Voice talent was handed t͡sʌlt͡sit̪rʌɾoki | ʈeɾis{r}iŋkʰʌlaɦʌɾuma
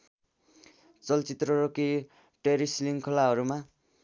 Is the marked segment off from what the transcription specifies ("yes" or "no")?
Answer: yes